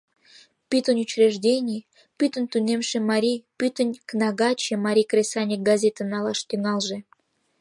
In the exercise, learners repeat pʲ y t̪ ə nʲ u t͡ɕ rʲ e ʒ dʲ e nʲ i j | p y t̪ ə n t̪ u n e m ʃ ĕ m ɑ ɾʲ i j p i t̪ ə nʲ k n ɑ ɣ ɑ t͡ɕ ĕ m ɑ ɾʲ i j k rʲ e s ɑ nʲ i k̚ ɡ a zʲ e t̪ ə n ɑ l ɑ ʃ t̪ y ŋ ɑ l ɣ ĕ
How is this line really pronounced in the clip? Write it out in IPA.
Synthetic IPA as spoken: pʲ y t̪ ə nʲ u t͡ɕ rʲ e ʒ dʲ e nʲ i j | p y t̪ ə n t̪ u n e m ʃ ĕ m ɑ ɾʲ i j p y t̪ ə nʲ k n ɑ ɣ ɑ t͡ɕ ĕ m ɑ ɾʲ i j k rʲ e s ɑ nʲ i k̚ ɡ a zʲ e t̪ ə n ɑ l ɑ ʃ t̪ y ŋ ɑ l ʒ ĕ